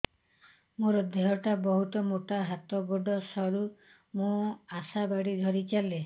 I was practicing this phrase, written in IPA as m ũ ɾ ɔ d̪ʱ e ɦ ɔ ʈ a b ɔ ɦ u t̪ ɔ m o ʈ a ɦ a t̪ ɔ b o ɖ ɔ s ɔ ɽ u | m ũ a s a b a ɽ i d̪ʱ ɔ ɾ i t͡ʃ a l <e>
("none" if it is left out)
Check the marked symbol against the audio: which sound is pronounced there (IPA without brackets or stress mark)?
e